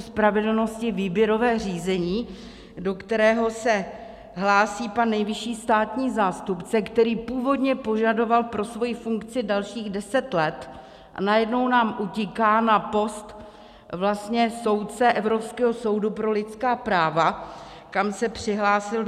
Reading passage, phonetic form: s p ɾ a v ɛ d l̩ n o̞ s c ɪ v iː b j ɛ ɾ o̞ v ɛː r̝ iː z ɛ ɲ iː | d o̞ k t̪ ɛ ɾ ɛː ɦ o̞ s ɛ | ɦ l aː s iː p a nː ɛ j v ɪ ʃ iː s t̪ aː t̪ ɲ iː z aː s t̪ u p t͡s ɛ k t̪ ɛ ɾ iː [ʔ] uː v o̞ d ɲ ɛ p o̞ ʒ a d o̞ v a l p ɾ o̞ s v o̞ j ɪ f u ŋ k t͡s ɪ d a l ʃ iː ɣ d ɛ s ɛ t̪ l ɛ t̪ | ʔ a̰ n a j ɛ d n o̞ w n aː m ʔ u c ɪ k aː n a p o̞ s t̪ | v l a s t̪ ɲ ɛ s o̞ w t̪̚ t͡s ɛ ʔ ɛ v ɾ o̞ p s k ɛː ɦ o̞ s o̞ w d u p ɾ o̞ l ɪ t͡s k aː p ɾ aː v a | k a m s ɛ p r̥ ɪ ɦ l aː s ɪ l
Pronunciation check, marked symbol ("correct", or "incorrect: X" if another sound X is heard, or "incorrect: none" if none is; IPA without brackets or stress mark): incorrect: p